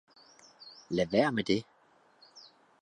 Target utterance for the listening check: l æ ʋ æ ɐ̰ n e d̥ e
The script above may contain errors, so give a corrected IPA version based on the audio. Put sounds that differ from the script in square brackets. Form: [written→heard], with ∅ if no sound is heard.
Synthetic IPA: l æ ʋ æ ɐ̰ [n→m] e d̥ e

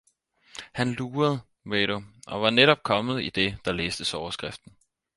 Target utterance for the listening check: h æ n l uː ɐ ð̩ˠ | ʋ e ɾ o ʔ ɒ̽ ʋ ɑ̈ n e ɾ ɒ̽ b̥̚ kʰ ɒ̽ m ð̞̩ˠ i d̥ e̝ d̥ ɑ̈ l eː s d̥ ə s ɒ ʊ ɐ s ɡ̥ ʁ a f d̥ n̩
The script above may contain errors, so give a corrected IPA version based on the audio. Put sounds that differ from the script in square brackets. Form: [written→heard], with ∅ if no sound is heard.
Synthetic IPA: h æ n l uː ɐ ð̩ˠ | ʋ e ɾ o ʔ ɒ̽ ʋ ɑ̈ n e ɾ ɒ̽ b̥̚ kʰ ɒ̽ m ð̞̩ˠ i d̥ e̝ d̥ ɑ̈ l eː s d̥ ə s ɒ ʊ ɐ s ɡ̥ ʁ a f d̥ n̩

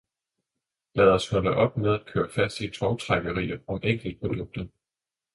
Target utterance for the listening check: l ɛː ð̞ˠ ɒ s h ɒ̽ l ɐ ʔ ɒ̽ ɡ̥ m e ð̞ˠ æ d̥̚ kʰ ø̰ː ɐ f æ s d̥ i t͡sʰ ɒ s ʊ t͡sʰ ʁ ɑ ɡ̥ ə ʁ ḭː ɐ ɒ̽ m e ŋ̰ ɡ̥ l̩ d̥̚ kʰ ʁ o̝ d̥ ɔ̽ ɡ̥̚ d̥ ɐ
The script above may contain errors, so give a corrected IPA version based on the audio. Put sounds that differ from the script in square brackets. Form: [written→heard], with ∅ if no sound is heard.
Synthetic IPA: l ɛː ð̞ˠ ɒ s h ɒ̽ l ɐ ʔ ɒ̽ [ɡ̥→b̥] m e ð̞ˠ æ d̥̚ kʰ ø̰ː ɐ f æ s d̥ i t͡sʰ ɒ [s→∅] ʊ t͡sʰ ʁ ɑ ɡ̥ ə ʁ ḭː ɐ ɒ̽ m e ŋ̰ ɡ̥ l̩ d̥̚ [kʰ→pʰ] ʁ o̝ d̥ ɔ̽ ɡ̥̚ d̥ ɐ

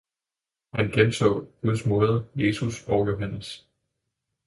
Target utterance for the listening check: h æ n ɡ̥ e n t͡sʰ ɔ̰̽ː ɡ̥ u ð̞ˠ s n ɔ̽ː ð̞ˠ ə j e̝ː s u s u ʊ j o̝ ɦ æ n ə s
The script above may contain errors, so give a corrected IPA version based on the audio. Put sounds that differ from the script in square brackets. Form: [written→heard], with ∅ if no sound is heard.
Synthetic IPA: h æ n ɡ̥ e n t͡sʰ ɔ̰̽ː ɡ̥ u ð̞ˠ s [n→m] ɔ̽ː ð̞ˠ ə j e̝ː s u s [u→ɒ] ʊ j o̝ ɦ æ n ə s

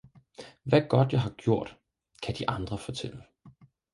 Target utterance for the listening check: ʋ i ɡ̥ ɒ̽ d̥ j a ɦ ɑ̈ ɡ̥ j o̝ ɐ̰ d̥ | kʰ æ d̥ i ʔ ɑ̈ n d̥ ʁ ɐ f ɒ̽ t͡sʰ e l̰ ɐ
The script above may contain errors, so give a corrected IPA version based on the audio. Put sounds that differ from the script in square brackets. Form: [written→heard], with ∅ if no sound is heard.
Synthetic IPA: ʋ [i→æ] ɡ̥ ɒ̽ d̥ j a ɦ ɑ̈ ɡ̥ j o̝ ɐ̰ d̥ | kʰ æ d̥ i ʔ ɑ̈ n d̥ ʁ ɐ f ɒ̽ t͡sʰ e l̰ [ɐ→ə]

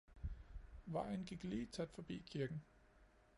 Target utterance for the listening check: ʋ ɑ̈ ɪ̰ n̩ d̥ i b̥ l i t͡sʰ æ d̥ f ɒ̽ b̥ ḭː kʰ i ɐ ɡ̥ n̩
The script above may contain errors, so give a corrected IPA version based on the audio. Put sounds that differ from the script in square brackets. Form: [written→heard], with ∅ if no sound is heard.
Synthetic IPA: ʋ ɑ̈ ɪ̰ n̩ [d̥→ɡ̥] i [b̥→ɡ̥] l [i→iː] t͡sʰ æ d̥ f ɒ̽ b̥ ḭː kʰ i ɐ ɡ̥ n̩

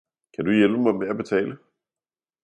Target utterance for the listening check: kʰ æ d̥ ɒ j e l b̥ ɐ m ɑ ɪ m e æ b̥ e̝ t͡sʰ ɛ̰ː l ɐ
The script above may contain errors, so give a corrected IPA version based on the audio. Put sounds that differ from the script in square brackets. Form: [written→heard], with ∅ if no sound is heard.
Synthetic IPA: kʰ æ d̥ [ɒ→u] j e l b̥ [ɐ→ə] m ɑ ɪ m e æ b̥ e̝ t͡sʰ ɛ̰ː l [ɐ→ə]

